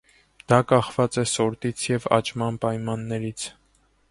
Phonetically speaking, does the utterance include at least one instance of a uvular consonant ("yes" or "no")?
yes